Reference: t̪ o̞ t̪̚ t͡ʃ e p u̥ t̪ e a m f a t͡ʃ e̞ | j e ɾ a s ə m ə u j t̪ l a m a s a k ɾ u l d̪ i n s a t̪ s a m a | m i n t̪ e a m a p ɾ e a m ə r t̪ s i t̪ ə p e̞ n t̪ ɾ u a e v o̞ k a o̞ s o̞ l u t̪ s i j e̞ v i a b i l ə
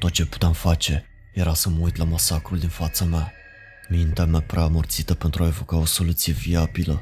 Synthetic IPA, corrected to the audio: t̪ o̞ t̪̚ t͡ʃ e p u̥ t̪ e a m f a t͡ʃ e̞ | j e ɾ a s ə m ə u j t̪ l a m a s a k ɾ u l d̪ i n f a t̪ s a m a | m i n t̪ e a m a p ɾ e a m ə r t̪ s i t̪ ə p e̞ n t̪ ɾ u a e v o̞ k a o̞ s o̞ l u t̪ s i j e̞ v i a b i l ə